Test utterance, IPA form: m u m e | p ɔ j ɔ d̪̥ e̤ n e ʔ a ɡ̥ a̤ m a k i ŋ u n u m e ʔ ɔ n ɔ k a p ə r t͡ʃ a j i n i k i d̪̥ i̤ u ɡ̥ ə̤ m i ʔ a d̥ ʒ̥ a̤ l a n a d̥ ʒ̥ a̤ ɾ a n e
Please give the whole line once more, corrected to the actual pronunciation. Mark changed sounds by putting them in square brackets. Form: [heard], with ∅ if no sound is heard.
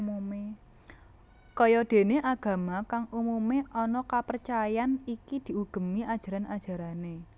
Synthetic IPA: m u m e | [k] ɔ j ɔ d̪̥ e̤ n e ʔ a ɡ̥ a̤ m a k [a] ŋ u [m] u m e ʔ ɔ n ɔ k a p ə r t͡ʃ a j [a] n i k i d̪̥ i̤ u ɡ̥ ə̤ m i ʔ a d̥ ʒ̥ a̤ [ɾ] a n a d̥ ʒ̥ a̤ ɾ a n e